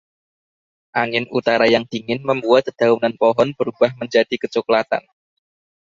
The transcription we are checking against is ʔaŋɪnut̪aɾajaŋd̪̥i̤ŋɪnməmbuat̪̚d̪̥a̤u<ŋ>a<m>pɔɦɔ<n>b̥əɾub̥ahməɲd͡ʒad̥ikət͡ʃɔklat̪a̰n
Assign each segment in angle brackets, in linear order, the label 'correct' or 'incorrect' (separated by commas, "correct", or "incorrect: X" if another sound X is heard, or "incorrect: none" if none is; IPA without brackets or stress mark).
incorrect: n, incorrect: n, correct